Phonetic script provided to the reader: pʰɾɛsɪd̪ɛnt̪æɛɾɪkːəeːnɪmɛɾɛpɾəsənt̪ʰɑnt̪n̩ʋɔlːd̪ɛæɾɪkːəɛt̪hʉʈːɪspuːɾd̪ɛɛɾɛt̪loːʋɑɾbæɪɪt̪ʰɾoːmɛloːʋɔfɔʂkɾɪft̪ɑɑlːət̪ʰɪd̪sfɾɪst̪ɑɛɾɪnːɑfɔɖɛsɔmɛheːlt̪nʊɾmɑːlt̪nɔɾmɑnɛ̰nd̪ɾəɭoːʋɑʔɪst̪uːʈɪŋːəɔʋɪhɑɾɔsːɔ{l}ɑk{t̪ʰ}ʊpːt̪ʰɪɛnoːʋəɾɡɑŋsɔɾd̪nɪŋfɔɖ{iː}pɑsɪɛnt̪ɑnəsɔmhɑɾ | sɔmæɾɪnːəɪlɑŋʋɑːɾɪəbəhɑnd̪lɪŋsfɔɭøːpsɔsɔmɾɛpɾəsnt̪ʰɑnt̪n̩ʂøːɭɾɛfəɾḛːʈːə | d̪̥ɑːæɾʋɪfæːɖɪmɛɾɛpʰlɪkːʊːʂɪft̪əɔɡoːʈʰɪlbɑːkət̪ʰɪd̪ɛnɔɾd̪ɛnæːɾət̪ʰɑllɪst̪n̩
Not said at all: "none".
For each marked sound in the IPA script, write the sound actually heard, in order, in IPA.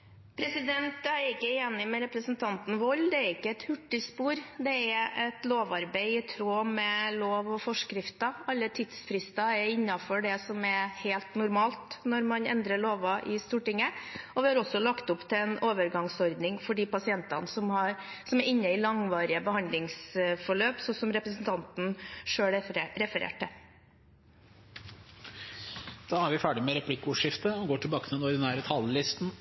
l, t̪, iː

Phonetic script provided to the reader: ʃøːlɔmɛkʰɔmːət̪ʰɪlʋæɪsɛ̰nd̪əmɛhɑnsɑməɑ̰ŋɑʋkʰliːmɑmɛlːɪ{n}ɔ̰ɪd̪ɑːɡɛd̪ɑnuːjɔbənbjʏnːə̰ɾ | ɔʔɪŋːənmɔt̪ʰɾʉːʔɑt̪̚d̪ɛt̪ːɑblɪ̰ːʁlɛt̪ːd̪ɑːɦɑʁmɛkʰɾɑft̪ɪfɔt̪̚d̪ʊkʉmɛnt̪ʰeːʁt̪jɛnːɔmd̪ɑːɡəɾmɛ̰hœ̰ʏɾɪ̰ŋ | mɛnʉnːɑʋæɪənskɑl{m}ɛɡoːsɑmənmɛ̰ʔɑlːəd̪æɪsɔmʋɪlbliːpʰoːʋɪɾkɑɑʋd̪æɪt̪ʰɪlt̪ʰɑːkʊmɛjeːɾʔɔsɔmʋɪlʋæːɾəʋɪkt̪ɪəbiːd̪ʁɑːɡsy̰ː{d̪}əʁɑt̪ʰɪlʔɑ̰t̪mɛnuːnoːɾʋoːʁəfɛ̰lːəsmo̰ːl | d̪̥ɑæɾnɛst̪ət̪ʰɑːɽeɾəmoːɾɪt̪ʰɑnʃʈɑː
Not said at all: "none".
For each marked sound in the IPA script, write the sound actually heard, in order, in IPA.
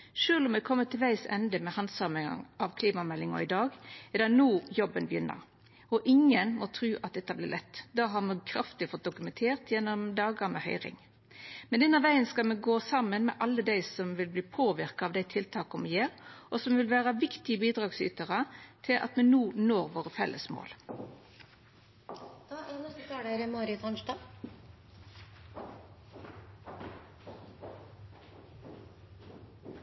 ŋ, m, t̪

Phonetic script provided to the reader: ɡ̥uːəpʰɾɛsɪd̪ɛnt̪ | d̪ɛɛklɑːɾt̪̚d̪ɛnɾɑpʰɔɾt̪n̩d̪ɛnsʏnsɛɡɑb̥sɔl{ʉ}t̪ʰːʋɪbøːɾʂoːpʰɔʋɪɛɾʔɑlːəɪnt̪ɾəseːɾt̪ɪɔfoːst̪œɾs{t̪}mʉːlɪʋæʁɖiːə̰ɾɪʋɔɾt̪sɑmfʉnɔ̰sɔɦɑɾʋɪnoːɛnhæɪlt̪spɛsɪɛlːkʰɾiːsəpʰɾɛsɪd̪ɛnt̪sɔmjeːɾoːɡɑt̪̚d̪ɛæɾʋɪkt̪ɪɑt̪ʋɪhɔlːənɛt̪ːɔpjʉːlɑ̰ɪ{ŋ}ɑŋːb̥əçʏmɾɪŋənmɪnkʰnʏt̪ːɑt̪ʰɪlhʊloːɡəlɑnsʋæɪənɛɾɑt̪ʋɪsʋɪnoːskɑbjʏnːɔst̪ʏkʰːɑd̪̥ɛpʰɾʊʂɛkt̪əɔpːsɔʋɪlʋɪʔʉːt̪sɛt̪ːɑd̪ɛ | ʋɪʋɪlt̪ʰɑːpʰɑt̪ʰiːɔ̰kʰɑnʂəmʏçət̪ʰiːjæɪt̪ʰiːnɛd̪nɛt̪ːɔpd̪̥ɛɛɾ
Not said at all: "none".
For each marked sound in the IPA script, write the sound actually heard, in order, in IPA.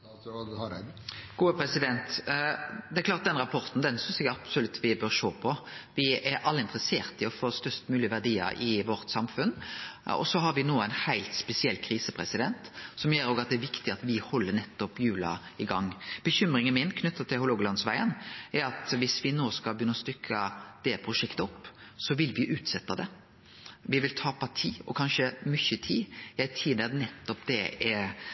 ʉ, t̪, ɡ

